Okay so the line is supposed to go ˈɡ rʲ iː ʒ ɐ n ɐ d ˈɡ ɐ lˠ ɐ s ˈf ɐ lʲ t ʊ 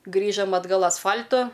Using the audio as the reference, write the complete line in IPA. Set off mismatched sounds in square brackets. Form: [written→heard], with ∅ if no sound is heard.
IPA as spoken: ˈɡ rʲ iː ʒ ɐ [n→m] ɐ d ˈɡ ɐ lˠ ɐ s ˈf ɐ lʲ t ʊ

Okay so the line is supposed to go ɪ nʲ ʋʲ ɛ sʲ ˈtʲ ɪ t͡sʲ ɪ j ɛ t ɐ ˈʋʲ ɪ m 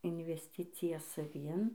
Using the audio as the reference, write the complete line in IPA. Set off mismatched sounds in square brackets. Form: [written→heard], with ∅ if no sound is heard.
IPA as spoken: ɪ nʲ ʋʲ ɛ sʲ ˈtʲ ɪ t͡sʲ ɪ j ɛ [t→s] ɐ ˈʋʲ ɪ [m→n]

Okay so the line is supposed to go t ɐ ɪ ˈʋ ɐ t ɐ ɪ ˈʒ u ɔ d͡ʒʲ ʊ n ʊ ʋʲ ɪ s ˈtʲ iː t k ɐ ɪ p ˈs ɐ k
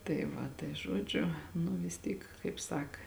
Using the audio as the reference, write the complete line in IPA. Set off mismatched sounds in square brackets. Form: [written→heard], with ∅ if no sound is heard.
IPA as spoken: t ɐ ɪ ˈʋ ɐ t ɐ ɪ ˈʒ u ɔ d͡ʒʲ ʊ n ʊ ʋʲ ɪ s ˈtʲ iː [t→k] k ɐ ɪ p ˈs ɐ k

